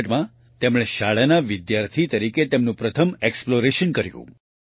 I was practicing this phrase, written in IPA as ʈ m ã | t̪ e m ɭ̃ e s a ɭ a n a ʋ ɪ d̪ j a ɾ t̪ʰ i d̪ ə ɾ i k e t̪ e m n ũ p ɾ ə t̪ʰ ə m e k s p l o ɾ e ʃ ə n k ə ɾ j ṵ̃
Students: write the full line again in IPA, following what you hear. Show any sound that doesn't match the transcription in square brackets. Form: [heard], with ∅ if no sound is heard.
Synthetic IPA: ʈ m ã | t̪ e m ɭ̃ e [ʃ] a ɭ a n a ʋ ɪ d̪ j a ɾ t̪ʰ i [t̪] ə ɾ i k e t̪ e m n ũ p ɾ ə t̪ʰ ə m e k s p l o ɾ e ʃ ə n k ə ɾ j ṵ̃